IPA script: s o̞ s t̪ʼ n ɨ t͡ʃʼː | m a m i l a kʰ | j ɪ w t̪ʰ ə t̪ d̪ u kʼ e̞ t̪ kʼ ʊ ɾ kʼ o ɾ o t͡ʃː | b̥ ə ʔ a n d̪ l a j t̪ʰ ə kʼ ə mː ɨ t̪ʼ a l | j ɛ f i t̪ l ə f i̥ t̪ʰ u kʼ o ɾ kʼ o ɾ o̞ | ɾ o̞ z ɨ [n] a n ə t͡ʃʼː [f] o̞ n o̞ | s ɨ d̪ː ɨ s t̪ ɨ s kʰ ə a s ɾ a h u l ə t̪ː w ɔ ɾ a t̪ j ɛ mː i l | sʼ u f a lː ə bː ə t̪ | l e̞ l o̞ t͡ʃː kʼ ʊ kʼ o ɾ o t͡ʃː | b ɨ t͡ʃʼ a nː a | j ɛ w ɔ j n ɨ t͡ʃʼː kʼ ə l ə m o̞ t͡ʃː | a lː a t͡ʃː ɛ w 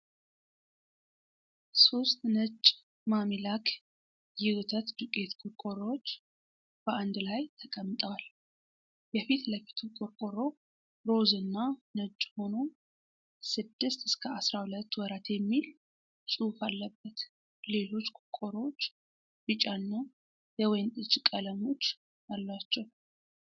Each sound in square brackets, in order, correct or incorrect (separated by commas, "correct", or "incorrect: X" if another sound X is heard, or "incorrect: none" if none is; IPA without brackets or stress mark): incorrect: nː, incorrect: h